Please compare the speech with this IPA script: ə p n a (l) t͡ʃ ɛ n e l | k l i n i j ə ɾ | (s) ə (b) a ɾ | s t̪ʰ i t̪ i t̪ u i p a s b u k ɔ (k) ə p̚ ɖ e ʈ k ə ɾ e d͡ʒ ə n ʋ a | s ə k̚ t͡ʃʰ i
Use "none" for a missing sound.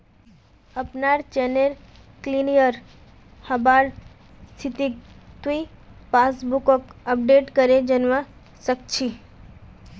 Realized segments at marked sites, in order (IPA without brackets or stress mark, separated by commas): ɾ, h, b, k